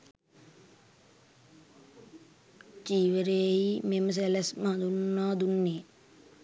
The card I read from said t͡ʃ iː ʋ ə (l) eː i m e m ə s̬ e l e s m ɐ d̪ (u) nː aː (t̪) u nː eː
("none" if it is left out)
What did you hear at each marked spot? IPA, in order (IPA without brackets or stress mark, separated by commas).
ɾ, u, d̪